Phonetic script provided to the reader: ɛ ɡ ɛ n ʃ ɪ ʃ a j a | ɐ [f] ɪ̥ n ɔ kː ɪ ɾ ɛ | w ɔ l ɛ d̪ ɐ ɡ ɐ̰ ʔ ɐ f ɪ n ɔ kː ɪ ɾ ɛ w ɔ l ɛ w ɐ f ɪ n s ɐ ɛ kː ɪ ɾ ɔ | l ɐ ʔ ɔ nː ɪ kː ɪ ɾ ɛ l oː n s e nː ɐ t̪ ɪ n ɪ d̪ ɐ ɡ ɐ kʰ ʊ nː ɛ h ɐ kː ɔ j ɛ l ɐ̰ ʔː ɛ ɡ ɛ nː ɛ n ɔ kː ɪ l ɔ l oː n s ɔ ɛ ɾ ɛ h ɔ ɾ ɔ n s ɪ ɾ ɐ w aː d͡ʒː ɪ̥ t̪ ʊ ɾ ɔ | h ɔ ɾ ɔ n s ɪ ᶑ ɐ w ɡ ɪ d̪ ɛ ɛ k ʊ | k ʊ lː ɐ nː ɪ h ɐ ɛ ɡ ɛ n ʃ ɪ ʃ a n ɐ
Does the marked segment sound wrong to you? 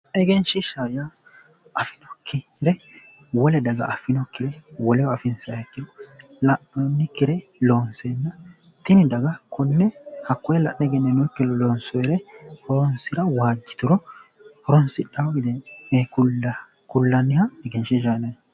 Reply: no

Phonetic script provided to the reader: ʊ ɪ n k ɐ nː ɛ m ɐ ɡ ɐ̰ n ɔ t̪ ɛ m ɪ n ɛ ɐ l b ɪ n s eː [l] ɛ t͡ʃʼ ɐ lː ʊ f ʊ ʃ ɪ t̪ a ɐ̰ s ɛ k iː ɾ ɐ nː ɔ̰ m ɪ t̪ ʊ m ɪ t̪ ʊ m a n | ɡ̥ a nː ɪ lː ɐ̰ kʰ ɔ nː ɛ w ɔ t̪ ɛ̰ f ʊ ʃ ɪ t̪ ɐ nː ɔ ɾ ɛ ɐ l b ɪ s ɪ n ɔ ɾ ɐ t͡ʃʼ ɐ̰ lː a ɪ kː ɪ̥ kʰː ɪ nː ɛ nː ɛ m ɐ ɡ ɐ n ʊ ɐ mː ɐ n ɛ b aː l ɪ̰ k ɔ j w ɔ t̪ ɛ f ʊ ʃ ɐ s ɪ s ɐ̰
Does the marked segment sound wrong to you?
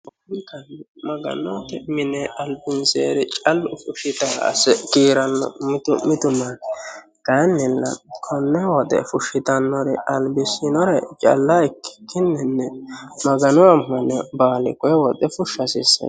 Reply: yes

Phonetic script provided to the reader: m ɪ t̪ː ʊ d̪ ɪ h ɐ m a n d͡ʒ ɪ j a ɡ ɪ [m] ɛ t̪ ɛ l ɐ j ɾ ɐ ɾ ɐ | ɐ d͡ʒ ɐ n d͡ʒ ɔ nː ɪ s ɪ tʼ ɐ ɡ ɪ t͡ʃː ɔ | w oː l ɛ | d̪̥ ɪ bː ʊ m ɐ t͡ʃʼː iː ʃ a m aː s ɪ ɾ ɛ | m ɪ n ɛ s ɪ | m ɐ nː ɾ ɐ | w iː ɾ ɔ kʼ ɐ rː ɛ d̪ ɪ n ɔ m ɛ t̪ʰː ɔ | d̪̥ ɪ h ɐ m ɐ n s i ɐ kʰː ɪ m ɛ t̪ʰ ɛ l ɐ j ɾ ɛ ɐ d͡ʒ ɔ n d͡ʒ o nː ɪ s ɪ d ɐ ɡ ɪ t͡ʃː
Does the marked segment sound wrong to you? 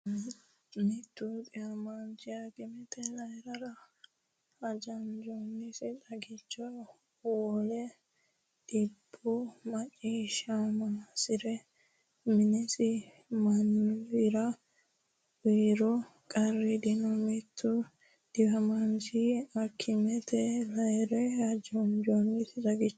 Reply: no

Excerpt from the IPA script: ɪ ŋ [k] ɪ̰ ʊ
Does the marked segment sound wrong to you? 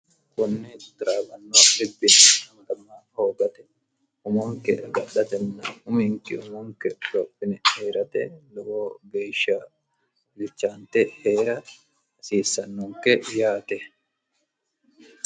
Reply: no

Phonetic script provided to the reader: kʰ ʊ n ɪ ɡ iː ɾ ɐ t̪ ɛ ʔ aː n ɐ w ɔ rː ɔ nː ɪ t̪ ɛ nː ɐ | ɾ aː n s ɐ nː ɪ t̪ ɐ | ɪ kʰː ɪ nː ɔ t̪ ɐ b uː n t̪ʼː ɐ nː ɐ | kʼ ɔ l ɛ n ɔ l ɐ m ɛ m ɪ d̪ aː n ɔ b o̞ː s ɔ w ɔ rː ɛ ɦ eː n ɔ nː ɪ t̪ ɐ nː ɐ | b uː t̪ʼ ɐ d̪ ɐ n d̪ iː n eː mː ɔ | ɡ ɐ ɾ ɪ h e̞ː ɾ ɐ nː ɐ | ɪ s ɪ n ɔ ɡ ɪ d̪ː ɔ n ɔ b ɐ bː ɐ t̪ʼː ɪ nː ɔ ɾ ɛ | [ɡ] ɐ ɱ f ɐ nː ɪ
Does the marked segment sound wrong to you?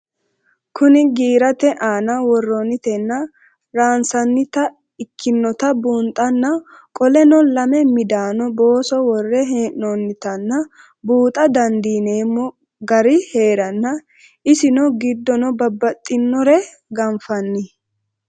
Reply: no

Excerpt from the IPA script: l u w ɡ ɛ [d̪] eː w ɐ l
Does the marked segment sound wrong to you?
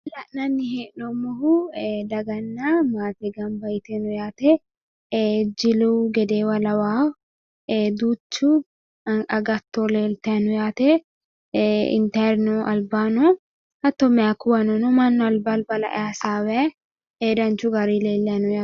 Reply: no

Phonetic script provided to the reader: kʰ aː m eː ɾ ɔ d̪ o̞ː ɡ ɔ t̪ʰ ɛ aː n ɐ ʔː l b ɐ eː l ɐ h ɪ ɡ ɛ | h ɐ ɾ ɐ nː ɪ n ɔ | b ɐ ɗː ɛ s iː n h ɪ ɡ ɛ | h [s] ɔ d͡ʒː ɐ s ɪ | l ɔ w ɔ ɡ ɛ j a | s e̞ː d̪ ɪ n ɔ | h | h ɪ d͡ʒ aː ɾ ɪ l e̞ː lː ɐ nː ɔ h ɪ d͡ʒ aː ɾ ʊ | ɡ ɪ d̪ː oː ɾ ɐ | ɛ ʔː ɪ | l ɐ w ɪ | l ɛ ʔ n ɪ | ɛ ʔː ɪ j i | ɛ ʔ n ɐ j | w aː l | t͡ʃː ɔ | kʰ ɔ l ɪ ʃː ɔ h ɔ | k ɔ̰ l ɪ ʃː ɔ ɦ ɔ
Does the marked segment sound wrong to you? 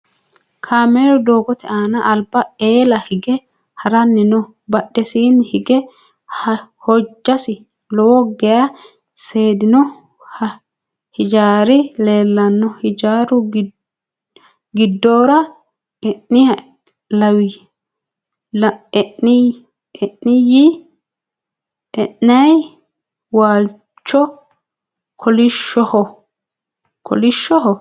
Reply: yes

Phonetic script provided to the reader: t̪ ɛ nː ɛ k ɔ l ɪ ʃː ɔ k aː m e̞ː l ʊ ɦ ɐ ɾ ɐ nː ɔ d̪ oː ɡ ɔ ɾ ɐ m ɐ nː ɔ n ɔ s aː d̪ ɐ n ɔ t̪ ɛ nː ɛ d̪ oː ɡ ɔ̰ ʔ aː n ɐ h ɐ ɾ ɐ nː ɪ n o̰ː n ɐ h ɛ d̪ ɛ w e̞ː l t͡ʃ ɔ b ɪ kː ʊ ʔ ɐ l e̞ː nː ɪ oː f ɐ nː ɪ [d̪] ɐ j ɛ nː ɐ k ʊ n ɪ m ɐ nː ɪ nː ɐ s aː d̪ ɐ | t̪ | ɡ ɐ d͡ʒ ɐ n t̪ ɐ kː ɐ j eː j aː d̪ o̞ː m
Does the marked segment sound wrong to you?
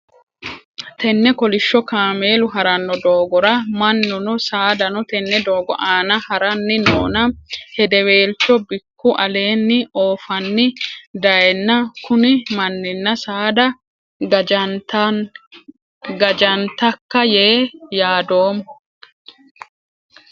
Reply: no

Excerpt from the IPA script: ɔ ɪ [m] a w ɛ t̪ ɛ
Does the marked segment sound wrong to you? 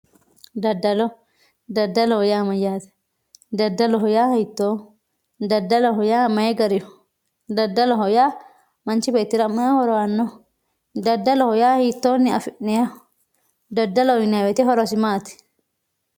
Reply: yes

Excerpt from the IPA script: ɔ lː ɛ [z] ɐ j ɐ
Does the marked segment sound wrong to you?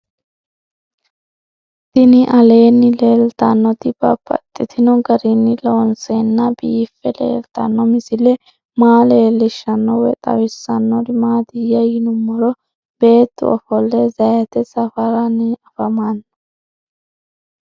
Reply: no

